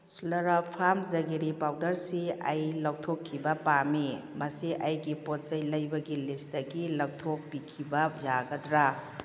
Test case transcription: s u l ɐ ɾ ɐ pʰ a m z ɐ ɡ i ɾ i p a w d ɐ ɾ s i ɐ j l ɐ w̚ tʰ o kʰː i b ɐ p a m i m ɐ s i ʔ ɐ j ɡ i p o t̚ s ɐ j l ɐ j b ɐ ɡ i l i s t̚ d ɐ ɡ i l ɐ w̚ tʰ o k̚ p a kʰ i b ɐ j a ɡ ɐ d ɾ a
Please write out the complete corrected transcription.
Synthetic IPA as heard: s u l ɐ ɾ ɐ pʰ a m z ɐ ɡ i ɾ i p a w d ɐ ɾ s i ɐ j l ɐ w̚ tʰ o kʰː i b ɐ p a m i m ɐ s i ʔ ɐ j ɡ i p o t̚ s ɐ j l ɐ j b ɐ ɡ i l i s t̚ d ɐ ɡ i l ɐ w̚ tʰ o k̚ p i kʰ i b ɐ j a ɡ ɐ d ɾ a